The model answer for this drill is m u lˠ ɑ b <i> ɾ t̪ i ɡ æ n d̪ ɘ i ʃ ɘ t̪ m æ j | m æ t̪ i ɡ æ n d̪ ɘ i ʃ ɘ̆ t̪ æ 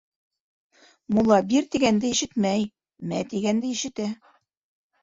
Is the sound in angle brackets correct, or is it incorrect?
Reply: correct